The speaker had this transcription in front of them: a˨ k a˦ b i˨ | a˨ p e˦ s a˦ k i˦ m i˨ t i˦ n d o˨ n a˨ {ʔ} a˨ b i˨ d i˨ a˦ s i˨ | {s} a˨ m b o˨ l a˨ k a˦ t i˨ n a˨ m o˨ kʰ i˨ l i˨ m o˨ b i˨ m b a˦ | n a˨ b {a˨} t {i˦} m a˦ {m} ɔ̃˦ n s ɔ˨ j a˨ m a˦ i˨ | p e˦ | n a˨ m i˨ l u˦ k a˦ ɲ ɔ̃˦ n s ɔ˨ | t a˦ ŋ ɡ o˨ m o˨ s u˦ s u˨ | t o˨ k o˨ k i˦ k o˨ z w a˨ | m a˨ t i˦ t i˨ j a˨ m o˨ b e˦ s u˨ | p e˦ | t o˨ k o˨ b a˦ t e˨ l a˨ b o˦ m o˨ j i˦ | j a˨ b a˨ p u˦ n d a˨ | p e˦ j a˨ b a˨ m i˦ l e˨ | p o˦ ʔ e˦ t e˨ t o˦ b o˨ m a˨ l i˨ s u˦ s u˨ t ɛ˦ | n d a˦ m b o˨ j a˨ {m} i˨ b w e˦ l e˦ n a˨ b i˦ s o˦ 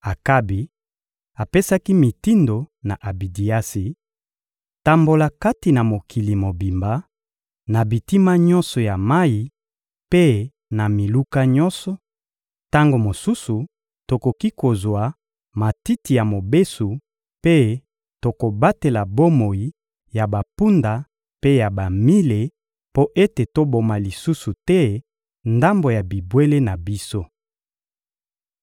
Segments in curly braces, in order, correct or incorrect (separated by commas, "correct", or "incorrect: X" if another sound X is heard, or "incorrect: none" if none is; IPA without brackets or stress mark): correct, incorrect: t, incorrect: i˨, correct, incorrect: ɲ, incorrect: b